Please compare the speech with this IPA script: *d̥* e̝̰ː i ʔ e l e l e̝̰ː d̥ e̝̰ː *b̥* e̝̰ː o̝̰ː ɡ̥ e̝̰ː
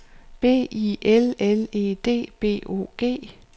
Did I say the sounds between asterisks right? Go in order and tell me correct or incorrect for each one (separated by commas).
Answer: incorrect, correct